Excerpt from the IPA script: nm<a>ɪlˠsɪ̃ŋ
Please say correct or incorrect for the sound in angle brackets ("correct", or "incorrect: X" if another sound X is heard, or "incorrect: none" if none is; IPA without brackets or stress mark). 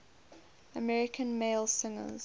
incorrect: e